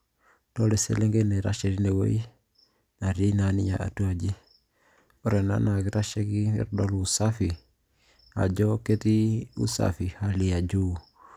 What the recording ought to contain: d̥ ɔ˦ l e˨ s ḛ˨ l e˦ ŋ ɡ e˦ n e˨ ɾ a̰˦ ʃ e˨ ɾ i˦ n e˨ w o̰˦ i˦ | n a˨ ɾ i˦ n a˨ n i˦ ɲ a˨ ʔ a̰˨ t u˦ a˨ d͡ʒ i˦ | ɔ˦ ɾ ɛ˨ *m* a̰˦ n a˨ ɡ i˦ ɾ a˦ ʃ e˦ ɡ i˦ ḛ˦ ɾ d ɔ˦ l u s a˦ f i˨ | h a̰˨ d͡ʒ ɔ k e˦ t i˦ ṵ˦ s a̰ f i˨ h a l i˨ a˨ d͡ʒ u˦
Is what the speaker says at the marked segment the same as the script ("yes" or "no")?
no